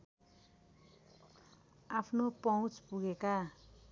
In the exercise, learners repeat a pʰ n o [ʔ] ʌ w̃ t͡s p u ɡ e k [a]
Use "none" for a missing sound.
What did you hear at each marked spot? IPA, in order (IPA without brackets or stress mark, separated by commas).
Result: p, a